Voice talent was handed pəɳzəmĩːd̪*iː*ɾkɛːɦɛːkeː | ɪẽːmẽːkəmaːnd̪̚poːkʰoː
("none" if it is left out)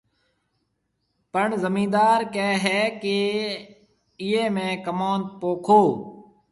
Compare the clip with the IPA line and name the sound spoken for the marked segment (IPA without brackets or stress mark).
aː